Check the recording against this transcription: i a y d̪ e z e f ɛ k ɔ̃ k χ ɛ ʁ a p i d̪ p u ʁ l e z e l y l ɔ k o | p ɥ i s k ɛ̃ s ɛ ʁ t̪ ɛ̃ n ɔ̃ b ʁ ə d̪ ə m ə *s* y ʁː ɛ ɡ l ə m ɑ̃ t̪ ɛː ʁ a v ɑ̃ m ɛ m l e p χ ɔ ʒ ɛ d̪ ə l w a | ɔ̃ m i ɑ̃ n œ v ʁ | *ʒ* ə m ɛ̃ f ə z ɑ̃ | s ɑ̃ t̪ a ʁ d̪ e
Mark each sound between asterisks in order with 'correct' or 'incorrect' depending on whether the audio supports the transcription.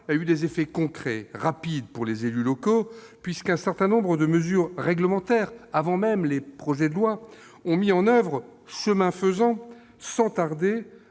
incorrect: z, incorrect: ʃ

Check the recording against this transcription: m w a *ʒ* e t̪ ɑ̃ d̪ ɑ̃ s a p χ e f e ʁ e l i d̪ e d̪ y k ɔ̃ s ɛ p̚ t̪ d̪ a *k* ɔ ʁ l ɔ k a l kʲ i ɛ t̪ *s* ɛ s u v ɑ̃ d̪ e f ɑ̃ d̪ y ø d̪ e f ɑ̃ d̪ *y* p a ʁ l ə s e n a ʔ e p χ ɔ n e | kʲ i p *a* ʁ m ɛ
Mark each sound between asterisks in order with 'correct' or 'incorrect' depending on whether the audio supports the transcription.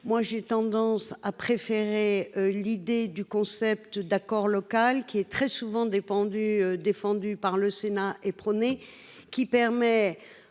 correct, correct, incorrect: χ, correct, incorrect: ɛ

